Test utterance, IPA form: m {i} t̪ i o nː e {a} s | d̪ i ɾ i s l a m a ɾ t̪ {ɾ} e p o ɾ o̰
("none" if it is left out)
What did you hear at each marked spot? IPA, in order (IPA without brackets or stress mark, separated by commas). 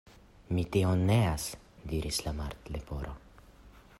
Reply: i, a, l